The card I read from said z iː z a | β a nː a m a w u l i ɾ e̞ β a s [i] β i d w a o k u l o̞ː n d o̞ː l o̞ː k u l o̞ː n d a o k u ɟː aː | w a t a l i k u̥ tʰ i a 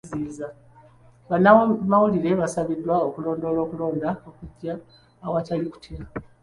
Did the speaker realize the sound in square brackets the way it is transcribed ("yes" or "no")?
no